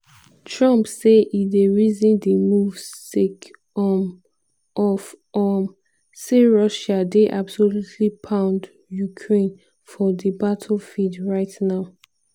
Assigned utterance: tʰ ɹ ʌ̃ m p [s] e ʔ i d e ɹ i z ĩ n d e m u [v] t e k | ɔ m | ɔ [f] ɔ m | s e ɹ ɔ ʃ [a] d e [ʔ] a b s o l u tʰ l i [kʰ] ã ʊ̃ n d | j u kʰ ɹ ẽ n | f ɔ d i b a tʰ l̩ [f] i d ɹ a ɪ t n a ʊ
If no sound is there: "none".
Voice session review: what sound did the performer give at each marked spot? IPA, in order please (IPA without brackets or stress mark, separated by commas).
s, v, f, a, ʔ, pʰ, f